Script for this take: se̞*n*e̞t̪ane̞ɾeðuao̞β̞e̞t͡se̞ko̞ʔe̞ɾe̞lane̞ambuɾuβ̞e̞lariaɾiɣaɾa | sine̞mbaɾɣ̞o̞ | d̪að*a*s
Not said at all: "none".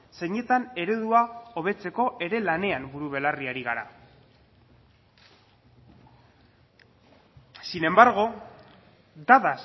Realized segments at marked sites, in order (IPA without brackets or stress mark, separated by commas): ɲ, a